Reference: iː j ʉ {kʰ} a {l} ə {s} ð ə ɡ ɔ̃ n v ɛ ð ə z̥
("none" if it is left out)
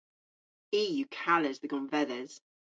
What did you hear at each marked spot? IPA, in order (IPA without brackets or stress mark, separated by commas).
kʰ, l, z